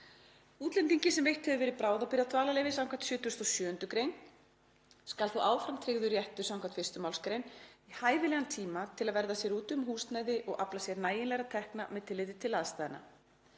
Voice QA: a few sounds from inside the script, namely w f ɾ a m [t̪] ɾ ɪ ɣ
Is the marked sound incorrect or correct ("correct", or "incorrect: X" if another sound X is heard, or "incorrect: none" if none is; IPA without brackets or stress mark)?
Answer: incorrect: t̪ʰ